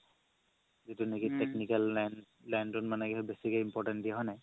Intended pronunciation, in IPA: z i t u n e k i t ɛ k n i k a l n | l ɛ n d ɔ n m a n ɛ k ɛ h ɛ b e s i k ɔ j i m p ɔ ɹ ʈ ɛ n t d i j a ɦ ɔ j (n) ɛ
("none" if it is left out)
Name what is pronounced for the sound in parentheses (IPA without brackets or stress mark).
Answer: n